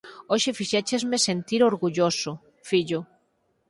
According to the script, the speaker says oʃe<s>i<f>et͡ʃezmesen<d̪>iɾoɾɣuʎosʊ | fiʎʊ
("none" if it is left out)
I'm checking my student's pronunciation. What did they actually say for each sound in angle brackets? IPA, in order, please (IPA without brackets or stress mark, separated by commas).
f, ʃ, t̪